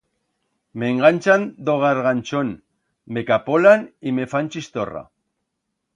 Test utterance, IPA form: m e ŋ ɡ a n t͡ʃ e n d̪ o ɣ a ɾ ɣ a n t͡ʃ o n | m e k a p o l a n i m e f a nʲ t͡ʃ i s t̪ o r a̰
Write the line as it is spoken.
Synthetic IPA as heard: m e ŋ ɡ a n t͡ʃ a n d̪ o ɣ a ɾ ɣ a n t͡ʃ o n | m e k a p o l a n i m e f a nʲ t͡ʃ i s t̪ o r a̰